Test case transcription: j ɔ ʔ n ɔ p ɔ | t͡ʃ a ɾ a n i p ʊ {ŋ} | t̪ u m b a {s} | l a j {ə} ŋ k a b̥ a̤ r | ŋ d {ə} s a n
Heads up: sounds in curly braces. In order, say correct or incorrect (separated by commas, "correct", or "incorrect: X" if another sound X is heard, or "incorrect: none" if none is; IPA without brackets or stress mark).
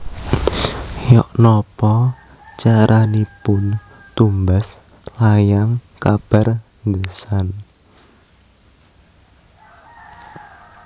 incorrect: n, correct, incorrect: a, correct